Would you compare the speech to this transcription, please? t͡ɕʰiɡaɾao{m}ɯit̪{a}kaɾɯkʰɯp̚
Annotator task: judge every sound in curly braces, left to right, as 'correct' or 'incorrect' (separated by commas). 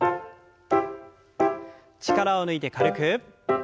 incorrect, incorrect